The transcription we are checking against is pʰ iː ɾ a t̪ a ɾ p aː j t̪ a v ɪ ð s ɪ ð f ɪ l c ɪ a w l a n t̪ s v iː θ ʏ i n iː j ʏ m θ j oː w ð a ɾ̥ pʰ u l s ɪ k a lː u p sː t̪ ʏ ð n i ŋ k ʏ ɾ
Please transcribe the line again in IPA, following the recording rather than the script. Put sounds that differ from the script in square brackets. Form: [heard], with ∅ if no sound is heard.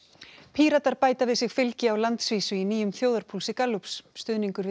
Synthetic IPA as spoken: pʰ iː ɾ a t̪ a ɾ p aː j t̪ a v ɪ ð s ɪ [ɣ] f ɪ l c ɪ a w l a n t̪ s v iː [s] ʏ i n iː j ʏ m θ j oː w ð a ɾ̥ pʰ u l s ɪ k a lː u p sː t̪ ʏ ð n i ŋ k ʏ ɾ